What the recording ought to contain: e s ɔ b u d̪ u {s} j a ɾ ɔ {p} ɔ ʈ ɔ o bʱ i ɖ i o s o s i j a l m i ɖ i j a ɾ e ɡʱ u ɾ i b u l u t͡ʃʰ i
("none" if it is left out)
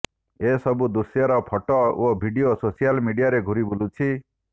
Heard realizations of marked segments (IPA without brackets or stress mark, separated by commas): s, pʰ